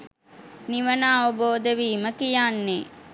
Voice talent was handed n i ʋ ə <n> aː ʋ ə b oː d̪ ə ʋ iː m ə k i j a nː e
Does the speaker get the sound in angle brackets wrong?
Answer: no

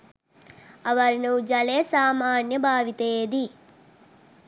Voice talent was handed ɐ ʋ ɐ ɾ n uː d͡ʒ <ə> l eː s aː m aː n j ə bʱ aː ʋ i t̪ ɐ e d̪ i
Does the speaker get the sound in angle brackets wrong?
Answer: yes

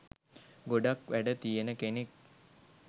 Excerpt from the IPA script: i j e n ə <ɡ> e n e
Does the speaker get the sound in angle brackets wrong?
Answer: yes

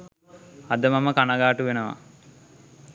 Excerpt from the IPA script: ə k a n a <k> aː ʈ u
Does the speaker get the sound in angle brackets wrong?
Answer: yes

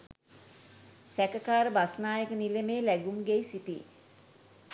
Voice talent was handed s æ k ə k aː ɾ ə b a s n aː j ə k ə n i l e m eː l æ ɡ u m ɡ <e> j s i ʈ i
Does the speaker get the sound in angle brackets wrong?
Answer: no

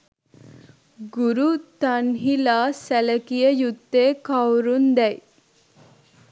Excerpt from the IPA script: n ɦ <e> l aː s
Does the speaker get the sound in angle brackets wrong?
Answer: yes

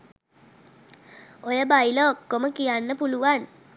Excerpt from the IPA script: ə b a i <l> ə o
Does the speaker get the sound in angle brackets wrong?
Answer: no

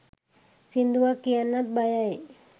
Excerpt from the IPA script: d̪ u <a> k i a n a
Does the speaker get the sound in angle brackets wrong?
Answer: no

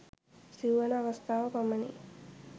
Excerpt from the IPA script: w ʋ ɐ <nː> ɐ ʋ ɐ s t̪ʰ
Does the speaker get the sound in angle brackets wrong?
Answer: yes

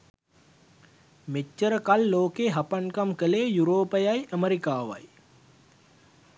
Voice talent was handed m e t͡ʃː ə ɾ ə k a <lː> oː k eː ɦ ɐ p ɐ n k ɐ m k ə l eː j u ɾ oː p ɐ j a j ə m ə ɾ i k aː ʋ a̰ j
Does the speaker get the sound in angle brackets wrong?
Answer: no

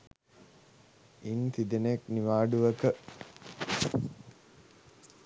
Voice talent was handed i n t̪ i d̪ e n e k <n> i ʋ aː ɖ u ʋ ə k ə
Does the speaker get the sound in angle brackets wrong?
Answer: no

